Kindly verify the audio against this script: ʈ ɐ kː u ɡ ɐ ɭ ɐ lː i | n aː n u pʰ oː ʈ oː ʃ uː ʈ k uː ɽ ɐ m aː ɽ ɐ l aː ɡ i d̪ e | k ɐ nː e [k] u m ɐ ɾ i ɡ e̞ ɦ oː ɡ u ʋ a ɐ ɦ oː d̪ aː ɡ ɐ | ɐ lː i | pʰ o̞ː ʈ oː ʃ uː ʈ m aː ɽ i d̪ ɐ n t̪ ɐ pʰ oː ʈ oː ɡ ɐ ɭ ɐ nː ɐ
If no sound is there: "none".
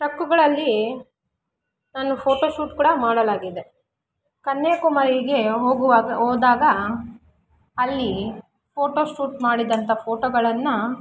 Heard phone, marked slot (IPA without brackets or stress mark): k